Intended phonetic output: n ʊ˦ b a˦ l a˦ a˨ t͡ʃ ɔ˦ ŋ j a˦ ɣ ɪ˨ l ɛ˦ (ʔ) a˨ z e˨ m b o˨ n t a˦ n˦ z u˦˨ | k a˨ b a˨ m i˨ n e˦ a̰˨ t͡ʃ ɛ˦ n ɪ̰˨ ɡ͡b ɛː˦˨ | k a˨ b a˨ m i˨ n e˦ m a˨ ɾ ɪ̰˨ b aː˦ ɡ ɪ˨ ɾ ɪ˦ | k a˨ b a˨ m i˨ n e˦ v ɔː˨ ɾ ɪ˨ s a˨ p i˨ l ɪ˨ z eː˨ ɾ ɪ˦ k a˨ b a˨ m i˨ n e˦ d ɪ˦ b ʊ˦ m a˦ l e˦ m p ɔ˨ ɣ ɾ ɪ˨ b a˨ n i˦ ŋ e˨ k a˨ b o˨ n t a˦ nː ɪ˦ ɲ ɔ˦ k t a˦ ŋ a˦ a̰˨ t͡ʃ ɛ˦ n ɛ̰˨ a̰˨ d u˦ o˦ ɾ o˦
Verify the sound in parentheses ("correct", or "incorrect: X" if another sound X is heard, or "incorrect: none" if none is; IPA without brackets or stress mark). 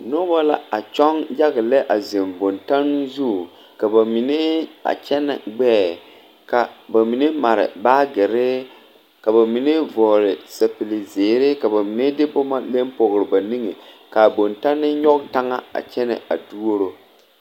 correct